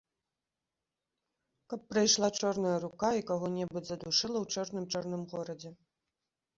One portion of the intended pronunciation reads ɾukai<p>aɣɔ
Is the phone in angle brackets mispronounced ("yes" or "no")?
yes